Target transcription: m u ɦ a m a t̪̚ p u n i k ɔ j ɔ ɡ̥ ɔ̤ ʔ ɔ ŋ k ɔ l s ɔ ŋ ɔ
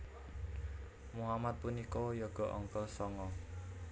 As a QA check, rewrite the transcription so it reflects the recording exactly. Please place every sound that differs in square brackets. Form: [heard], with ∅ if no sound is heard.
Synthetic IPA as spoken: m u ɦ a m a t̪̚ p u n i k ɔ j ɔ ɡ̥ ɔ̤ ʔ ɔ ŋ k ɔ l s ɔ ŋ ɔ